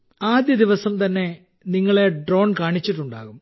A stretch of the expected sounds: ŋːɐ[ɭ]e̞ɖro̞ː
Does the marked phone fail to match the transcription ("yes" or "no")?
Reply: no